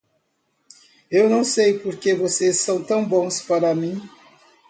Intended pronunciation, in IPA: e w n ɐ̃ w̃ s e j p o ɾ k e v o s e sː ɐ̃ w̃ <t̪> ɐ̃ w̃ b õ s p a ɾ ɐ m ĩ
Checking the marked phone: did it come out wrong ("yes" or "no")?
no